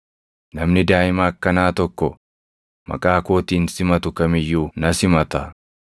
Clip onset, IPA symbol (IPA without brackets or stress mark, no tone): n